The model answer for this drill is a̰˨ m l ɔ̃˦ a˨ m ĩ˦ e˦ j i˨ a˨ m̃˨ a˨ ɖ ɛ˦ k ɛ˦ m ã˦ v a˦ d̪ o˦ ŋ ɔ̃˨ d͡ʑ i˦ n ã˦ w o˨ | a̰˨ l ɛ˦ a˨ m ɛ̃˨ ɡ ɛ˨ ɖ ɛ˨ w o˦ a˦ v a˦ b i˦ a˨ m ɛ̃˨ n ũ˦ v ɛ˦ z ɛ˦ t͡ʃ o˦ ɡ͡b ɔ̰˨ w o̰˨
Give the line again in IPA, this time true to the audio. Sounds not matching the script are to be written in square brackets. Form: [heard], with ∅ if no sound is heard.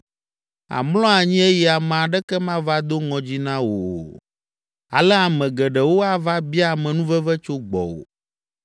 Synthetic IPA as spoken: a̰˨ m l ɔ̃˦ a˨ [ɲ] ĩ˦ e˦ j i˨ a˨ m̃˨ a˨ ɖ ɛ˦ k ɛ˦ m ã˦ v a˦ d̪ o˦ ŋ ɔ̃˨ d͡ʑ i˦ n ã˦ w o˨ | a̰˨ l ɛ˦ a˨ m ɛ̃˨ ɡ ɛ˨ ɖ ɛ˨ w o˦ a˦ v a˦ b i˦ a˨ m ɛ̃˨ n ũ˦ v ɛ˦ [v] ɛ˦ t͡ʃ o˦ ɡ͡b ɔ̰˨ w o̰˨